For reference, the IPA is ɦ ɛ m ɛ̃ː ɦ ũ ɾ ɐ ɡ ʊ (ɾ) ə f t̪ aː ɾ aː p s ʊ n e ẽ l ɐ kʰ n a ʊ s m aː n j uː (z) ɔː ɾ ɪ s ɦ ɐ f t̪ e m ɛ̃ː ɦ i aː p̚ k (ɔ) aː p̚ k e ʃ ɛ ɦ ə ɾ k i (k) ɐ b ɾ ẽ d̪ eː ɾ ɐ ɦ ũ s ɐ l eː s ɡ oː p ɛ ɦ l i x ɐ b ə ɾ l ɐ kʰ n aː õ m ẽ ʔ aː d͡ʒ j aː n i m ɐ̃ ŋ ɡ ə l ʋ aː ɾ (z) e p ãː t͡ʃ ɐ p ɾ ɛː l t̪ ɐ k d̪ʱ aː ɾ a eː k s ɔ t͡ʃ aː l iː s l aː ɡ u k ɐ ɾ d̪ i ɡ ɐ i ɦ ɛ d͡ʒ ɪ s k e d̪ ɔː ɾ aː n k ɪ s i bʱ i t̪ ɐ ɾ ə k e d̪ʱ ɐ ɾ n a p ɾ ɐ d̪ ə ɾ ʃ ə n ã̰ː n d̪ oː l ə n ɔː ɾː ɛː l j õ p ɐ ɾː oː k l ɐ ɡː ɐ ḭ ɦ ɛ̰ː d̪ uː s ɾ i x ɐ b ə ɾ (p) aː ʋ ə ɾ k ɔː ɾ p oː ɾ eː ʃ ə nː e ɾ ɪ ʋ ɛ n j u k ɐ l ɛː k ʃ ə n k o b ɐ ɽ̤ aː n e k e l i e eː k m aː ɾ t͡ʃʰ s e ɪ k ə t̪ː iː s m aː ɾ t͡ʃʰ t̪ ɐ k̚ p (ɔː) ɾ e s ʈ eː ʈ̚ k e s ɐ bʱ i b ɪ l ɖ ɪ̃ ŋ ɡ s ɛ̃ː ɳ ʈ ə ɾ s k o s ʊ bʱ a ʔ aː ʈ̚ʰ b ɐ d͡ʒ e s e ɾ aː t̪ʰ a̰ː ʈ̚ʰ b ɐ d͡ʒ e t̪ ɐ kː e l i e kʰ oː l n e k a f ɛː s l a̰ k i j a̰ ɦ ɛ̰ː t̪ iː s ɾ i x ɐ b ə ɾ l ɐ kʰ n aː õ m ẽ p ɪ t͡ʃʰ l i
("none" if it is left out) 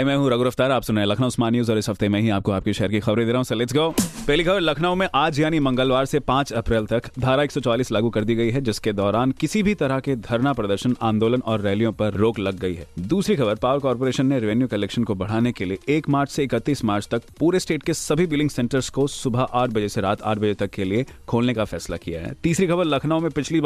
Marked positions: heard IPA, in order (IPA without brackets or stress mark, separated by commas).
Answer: ɾ, z, o, x, s, p, uː